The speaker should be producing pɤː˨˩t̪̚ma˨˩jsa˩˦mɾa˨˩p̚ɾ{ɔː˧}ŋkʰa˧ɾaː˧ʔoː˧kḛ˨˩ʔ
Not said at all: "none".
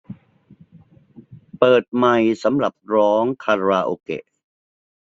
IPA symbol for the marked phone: ɔː˦˥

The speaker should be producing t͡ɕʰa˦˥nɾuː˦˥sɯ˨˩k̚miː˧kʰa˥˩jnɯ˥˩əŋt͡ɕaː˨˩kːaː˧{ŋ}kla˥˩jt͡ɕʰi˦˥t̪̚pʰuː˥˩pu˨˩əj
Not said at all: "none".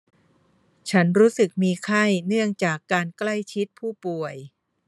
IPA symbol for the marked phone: n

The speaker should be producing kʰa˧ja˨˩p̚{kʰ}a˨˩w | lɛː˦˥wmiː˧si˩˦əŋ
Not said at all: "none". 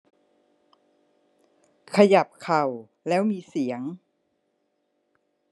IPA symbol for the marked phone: kʰ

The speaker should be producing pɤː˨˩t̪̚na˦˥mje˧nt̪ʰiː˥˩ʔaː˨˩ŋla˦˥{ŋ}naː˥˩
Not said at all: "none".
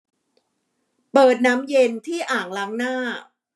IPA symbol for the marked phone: ŋ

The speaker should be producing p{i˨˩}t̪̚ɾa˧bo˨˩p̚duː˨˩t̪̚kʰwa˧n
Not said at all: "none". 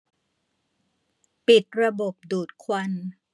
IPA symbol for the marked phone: i˨˩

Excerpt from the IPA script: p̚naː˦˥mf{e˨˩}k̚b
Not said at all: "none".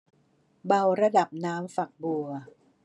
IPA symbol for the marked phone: a˨˩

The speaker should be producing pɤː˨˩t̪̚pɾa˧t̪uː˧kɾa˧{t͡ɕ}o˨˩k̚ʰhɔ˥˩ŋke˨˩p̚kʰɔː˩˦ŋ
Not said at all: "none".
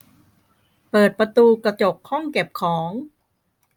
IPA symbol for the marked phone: t͡ɕ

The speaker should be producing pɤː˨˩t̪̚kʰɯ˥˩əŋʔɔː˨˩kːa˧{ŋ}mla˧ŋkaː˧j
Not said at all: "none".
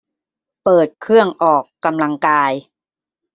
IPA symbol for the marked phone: none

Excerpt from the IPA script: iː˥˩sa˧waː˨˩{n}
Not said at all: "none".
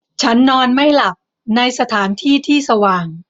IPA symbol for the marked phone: ŋ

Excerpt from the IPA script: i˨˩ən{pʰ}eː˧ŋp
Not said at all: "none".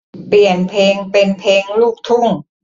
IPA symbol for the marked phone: pʰ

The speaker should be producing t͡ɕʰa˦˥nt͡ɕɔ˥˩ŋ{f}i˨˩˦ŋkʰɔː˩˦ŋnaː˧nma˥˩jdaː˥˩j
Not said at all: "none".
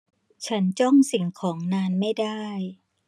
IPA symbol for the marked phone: s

